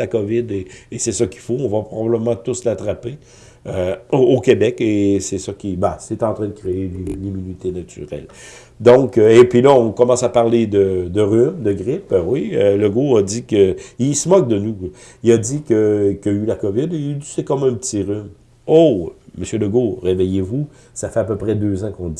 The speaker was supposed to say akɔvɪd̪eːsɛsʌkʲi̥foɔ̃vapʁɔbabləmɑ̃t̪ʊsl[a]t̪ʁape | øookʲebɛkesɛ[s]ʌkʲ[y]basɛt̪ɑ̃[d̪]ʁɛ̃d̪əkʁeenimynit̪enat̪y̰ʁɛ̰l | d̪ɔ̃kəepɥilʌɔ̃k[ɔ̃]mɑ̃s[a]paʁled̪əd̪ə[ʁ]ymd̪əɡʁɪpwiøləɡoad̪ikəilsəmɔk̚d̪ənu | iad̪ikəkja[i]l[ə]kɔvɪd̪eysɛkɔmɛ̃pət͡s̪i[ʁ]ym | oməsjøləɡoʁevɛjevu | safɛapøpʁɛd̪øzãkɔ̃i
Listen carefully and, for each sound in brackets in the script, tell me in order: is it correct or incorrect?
correct, correct, incorrect: i, incorrect: t̪, incorrect: ɔ, correct, correct, incorrect: y, incorrect: a, correct

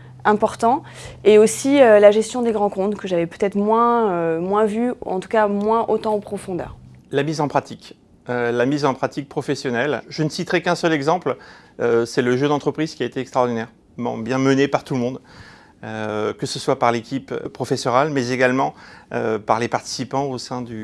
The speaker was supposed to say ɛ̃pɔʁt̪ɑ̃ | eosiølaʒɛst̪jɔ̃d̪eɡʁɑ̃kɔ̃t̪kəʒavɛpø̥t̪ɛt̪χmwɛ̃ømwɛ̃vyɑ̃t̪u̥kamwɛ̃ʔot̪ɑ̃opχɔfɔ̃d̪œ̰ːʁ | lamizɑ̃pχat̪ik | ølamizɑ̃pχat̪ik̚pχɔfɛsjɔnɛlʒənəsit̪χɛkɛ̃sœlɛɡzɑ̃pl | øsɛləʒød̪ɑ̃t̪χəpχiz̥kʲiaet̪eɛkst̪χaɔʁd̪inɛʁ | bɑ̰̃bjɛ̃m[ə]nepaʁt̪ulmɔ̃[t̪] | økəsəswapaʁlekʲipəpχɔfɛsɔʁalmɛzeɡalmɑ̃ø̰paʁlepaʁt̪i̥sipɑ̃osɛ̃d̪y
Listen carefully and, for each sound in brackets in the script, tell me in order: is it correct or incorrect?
correct, incorrect: d̪

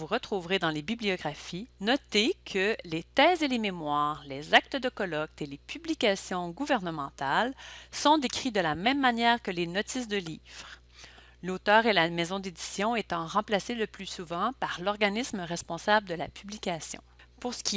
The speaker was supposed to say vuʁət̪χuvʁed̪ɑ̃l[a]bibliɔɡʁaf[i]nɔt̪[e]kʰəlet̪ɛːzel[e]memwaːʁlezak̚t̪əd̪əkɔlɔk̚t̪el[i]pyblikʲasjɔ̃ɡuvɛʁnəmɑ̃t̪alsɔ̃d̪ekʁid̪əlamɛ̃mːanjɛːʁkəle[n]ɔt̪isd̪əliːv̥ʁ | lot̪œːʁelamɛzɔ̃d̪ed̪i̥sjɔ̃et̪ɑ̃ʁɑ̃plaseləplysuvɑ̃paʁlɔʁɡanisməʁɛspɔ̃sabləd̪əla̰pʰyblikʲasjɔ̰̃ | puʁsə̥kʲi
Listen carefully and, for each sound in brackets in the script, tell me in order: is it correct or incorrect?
incorrect: e, correct, correct, correct, incorrect: e, correct

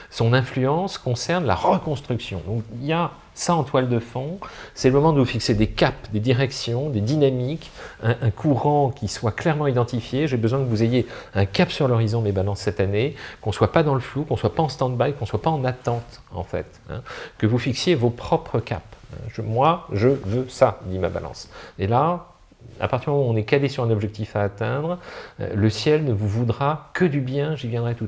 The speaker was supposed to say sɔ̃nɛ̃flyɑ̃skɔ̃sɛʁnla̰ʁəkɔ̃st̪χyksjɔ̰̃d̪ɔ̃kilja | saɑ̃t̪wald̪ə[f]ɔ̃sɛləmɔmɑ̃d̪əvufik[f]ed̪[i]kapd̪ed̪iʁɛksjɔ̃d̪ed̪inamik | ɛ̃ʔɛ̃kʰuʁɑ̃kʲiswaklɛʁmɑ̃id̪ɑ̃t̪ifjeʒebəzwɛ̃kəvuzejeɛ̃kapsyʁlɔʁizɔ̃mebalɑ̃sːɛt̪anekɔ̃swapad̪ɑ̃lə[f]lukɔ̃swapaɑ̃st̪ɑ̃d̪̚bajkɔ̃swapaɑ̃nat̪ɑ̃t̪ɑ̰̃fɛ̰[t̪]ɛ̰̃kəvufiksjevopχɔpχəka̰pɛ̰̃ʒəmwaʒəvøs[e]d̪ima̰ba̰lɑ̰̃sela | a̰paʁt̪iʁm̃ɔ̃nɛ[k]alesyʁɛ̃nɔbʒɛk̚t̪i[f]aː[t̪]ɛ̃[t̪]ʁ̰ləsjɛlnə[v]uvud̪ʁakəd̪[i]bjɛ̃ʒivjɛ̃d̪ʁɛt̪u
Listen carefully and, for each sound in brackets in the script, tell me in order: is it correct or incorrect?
correct, incorrect: s, incorrect: e, correct, correct, incorrect: a, correct, correct, correct, incorrect: d̪, correct, incorrect: y

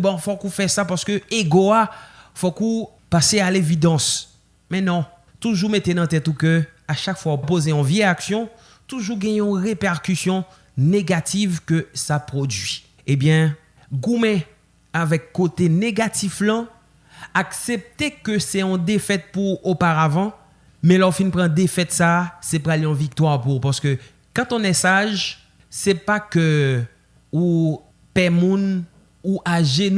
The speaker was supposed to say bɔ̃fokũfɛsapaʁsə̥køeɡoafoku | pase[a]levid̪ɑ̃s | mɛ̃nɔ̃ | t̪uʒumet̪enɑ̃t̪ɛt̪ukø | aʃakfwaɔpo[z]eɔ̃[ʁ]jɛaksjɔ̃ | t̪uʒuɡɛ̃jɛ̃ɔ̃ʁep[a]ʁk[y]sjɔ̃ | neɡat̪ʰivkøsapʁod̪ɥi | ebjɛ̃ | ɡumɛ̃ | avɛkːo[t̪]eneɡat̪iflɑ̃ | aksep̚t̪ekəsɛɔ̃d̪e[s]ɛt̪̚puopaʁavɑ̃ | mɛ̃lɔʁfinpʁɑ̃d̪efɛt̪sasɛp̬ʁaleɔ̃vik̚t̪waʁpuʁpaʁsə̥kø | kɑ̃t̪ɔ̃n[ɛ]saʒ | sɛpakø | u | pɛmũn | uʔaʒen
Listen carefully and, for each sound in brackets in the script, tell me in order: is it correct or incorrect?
correct, correct, incorrect: v, incorrect: ɛ, correct, correct, incorrect: f, correct

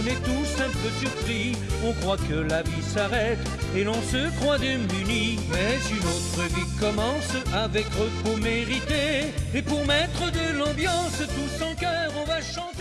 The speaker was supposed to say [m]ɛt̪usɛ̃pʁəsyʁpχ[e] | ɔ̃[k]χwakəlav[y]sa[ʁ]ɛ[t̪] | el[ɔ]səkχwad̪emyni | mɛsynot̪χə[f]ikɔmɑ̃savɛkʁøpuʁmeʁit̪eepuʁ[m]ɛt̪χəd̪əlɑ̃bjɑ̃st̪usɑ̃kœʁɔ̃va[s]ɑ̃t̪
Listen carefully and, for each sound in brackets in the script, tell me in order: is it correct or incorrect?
incorrect: n, incorrect: i, correct, incorrect: i, correct, correct, incorrect: ɔ̃, incorrect: v, correct, incorrect: ʃ

